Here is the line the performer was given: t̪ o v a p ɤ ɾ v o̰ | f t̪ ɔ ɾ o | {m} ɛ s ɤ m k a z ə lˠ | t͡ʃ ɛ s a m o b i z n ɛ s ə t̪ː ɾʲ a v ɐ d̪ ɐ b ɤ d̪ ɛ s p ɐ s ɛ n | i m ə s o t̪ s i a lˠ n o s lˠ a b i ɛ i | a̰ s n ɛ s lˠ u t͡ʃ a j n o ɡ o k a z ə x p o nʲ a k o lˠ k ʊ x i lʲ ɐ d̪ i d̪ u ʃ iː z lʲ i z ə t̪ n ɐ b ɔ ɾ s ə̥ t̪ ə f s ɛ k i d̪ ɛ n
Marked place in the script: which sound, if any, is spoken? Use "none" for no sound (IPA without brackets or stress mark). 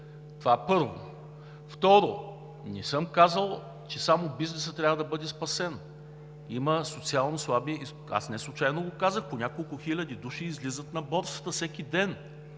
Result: n